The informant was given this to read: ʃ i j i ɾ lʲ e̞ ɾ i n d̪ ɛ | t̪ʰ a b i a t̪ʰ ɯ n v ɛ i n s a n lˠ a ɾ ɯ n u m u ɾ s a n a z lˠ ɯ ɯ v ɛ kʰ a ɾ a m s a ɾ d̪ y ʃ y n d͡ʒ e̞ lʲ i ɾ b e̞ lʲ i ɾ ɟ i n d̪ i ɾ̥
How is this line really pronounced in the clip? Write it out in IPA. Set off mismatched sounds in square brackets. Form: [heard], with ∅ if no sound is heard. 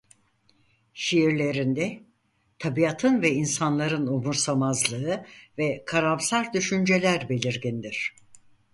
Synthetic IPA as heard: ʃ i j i ɾ lʲ e̞ ɾ i n d̪ ɛ | t̪ʰ a b i a t̪ʰ ɯ n v ɛ i n s a n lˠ a ɾ ɯ n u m u ɾ s a [m] a z lˠ ɯ ɯ v ɛ kʰ a ɾ a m s a ɾ d̪ y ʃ y n d͡ʒ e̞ lʲ [æ] ɾ b e̞ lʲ i ɾ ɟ i n d̪ i ɾ̥